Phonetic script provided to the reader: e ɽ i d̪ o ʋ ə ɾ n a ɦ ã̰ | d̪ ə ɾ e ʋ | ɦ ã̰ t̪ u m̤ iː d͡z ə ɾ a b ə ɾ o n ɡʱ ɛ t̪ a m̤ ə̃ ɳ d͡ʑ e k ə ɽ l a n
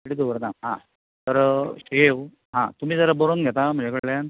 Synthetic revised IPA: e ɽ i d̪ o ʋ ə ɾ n a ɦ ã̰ | t̪ ə ɾ e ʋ | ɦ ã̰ t̪ u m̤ iː d͡z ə ɾ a b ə ɾ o n ɡʱ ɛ t̪ a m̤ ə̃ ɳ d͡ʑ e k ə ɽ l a n